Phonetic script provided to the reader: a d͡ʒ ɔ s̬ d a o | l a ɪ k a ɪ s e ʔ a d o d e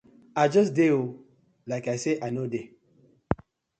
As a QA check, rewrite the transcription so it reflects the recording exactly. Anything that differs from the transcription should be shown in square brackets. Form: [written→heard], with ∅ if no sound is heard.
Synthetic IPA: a d͡ʒ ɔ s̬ d [a→e] o | l a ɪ k a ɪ s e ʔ a [d→n] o d e

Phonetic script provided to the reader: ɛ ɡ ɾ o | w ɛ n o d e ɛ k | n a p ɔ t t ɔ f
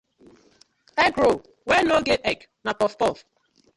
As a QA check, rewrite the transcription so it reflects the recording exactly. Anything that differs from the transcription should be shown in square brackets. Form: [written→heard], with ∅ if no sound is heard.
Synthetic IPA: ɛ ɡ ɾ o | w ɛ n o [d→ɡ] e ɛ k | n a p ɔ [t→s] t ɔ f

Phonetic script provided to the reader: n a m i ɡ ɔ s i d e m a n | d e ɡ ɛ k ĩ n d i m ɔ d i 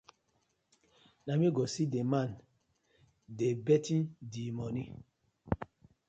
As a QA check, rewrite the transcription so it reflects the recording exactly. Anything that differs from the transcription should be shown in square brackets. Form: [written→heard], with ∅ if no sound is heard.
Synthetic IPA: n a m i ɡ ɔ s i d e m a n | d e [ɡ→b] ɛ [k→t] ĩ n d i m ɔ [d→n] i

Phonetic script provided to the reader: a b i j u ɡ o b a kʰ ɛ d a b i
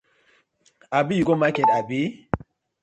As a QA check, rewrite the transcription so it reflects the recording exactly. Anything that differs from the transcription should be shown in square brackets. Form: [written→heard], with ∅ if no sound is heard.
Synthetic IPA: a b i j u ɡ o [b→m] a [kʰ→k] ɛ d a b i

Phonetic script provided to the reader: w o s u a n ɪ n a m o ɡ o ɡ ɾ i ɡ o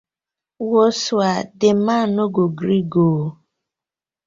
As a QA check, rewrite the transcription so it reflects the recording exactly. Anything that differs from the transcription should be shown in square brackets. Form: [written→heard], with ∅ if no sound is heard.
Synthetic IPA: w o s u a [n→d] ɪ [n→m] a [m→n] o ɡ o ɡ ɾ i ɡ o

